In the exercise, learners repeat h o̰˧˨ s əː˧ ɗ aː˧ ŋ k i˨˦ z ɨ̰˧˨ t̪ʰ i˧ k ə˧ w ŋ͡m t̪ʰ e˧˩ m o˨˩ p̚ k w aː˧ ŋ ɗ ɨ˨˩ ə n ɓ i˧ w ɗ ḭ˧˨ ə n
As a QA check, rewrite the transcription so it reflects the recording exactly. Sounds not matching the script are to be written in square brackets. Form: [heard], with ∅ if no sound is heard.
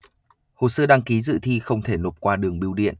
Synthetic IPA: h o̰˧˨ s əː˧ ɗ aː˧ ŋ k i˨˦ z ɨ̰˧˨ t̪ʰ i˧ [x] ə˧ w ŋ͡m t̪ʰ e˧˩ [n] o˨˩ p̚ k w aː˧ [∅] ɗ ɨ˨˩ ə [ŋ] ɓ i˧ w ɗ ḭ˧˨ ə n